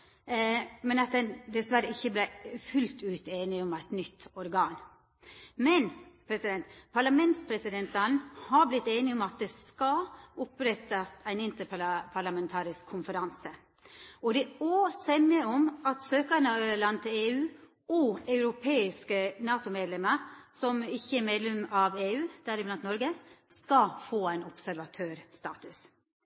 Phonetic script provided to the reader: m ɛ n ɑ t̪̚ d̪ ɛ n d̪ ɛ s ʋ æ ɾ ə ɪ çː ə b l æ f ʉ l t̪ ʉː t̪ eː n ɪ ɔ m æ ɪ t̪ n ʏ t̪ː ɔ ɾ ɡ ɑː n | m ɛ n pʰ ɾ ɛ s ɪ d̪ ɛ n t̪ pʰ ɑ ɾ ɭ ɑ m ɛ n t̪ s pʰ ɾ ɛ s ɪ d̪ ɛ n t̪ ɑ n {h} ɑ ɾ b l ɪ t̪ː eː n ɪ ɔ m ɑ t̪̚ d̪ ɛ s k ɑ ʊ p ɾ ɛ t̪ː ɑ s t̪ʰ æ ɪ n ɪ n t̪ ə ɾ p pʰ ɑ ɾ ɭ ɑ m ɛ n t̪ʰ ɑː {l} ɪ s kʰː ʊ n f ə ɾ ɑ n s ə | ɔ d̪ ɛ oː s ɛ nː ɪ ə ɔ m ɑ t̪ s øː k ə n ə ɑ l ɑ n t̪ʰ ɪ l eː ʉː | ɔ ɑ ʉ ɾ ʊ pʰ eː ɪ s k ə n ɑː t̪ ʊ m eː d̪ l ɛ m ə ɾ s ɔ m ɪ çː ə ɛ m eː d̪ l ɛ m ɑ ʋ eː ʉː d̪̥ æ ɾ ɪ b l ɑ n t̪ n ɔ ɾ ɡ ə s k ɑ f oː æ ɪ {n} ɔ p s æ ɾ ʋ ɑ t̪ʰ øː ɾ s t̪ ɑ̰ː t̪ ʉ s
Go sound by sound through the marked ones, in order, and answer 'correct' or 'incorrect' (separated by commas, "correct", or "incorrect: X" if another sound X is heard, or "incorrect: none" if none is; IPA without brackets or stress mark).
correct, incorrect: ɾ, correct